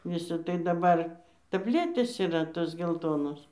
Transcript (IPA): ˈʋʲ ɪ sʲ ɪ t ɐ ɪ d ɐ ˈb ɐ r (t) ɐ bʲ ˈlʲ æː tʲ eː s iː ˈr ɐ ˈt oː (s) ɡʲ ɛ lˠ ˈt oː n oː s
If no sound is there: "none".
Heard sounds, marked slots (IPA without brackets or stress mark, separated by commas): t, s